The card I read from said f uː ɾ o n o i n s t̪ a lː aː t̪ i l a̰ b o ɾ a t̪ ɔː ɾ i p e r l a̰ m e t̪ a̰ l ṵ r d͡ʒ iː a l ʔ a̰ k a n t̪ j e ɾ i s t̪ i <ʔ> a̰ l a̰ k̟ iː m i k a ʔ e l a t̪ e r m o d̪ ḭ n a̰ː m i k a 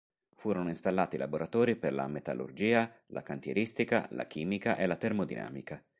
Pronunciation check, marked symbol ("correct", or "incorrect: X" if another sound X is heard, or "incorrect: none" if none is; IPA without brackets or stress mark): incorrect: k